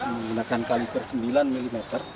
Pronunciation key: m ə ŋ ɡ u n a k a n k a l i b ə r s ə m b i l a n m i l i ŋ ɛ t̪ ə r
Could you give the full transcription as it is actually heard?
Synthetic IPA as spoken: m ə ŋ ɡ u n a k a n k a l i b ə r s ə m b i l a n m i l i m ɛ t̪ ə r